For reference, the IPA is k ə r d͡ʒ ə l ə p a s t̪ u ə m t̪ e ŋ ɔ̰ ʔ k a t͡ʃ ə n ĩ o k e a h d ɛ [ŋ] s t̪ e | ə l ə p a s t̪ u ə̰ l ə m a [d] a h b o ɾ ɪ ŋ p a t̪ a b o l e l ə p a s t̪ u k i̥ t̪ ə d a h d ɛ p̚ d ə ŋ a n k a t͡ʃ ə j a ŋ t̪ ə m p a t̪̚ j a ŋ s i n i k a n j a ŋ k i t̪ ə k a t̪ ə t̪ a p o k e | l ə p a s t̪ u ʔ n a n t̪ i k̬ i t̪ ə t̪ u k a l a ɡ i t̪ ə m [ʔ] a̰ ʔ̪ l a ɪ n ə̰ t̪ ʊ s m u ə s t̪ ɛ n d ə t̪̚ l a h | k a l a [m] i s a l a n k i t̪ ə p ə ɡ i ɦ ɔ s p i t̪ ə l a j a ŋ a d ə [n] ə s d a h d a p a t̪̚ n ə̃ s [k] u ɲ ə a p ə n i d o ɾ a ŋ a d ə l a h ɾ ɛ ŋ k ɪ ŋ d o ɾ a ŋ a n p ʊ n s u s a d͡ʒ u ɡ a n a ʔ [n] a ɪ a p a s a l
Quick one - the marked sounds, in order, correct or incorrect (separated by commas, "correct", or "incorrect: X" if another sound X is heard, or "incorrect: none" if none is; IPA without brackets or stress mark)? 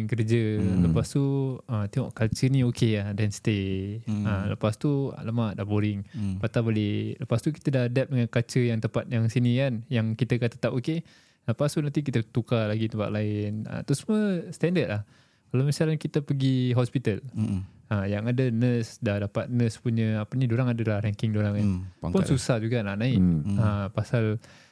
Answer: incorrect: n, correct, incorrect: p, correct, correct, incorrect: p, correct